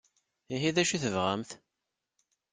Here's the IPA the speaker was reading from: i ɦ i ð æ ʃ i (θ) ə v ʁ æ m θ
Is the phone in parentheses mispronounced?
no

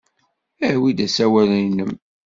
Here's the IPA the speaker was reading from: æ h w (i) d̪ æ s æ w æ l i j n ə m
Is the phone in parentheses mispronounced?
no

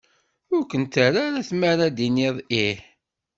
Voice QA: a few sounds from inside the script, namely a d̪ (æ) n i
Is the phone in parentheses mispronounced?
yes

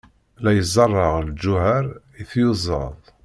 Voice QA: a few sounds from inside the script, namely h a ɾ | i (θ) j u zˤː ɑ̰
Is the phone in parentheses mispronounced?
no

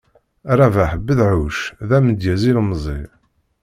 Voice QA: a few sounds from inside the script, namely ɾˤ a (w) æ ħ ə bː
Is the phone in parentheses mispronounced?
yes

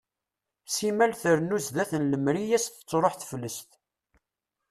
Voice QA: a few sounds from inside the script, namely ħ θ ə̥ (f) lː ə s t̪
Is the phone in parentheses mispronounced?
no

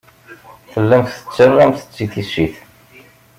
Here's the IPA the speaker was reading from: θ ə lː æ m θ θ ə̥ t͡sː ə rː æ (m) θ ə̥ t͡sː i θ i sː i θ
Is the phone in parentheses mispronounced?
no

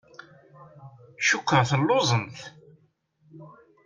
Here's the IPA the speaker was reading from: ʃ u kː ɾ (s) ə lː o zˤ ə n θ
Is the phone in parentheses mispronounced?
yes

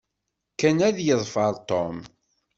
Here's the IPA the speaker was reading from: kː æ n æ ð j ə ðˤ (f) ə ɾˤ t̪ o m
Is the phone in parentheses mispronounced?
no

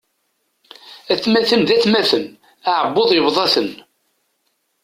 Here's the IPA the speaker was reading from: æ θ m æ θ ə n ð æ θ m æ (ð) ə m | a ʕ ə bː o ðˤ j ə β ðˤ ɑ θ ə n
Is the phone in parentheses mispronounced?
yes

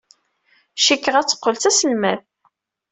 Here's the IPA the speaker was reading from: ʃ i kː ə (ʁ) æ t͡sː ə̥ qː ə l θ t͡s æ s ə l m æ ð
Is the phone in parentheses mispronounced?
no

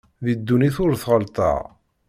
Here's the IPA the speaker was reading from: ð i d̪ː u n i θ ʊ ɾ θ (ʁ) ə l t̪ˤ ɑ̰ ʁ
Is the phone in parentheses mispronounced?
no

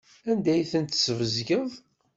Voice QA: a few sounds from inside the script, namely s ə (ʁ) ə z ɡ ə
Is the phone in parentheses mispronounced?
yes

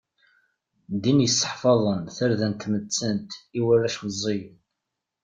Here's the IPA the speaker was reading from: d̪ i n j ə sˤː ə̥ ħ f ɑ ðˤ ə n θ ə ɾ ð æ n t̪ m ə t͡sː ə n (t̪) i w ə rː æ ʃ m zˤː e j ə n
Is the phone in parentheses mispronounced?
no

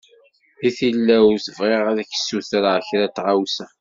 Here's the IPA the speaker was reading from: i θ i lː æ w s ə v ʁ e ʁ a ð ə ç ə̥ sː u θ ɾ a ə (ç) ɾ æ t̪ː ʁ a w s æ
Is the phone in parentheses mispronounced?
no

